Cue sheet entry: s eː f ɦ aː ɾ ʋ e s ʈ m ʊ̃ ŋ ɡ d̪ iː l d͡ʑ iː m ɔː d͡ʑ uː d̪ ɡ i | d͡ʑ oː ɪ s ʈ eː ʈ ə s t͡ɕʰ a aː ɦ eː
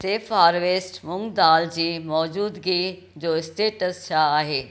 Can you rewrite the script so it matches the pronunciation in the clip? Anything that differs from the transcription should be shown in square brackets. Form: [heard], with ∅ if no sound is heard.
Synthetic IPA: s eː f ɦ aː ɾ ʋ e s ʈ m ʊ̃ ŋ ɡ d̪ [aː] l d͡ʑ iː m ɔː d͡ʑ uː d̪ ɡ i | d͡ʑ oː ɪ s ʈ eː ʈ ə s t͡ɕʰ a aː ɦ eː